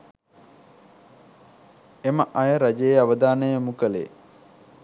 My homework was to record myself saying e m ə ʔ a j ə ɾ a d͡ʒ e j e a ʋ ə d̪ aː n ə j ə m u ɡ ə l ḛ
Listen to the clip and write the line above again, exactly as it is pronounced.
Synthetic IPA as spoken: e m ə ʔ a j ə ɾ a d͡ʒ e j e a ʋ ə d̪ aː n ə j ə m u k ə l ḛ

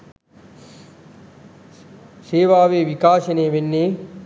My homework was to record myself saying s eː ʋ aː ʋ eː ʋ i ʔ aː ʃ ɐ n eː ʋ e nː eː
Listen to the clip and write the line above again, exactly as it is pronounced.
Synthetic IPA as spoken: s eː ʋ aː ʋ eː ʋ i k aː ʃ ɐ n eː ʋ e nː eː

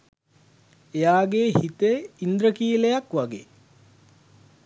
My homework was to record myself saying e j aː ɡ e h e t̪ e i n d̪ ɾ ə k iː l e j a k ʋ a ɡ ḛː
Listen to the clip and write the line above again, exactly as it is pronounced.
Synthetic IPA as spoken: e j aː ɡ e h i t̪ e i n d̪ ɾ ə k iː l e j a k ʋ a ɡ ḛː

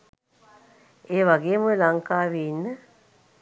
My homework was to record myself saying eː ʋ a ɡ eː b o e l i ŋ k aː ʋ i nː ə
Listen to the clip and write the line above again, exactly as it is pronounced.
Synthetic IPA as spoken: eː ʋ a ɡ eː m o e l a ŋ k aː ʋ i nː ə

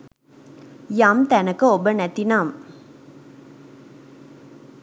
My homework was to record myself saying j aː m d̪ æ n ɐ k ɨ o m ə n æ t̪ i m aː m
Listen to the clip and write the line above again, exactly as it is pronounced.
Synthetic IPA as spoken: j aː m t̪ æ n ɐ k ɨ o b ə n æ t̪ i n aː m

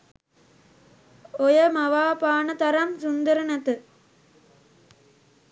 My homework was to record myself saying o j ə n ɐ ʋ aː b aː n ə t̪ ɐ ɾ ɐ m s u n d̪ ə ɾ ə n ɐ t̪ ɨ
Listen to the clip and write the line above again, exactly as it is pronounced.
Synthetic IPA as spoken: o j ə m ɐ ʋ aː p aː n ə t̪ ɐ ɾ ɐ m s u n d̪ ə ɾ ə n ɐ t̪ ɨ

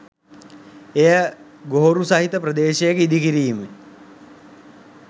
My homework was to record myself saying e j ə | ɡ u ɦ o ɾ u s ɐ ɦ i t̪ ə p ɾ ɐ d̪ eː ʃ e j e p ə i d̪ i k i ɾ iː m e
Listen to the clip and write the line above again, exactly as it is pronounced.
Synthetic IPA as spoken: e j ə | ɡ o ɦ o ɾ u s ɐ ɦ i t̪ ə p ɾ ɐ d̪ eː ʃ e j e k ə i d̪ i k i ɾ iː m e

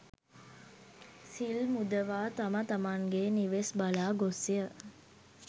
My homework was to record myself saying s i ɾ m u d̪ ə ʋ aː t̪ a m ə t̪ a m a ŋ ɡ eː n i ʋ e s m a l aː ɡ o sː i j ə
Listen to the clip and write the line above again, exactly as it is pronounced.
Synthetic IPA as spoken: s i l m u d̪ ə ʋ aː t̪ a m ə t̪ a m a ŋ ɡ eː n i ʋ e s b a l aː ɡ o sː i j ə

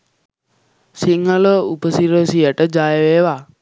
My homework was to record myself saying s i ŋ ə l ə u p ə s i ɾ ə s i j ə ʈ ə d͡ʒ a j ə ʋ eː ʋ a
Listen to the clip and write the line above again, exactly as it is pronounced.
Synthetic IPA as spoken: s i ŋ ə l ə u p ə s i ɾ ə s i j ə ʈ ə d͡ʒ a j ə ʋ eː ʋ a

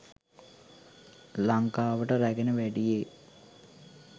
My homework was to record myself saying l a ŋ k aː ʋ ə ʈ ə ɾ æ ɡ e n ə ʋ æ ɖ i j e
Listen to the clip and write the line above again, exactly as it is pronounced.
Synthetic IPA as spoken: l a ŋ k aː ʋ ə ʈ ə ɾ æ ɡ e n ə ʋ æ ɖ i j e

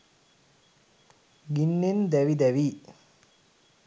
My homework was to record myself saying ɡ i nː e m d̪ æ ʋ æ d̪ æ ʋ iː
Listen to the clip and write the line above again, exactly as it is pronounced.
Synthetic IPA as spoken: ɡ i nː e n d̪ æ ʋ i d̪ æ ʋ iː

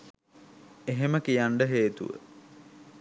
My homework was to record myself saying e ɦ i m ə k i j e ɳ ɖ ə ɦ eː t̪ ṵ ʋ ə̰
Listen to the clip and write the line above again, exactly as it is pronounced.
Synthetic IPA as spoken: e ɦ e m ə k i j a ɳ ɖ ə ɦ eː t̪ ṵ ʋ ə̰

